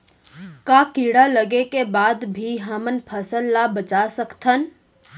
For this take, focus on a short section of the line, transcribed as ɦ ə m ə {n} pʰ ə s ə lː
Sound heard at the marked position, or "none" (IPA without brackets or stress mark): n